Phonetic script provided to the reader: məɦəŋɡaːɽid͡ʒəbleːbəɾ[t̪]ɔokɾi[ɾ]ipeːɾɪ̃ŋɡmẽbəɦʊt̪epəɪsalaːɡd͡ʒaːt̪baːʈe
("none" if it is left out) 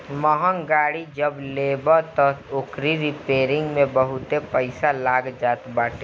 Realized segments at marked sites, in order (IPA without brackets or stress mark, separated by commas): t̪, ɾ